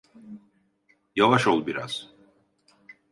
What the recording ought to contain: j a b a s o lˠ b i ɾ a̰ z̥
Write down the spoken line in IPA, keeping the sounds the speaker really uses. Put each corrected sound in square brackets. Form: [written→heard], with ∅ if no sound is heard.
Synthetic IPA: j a [b→v] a [s→ʃ] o lˠ b i ɾ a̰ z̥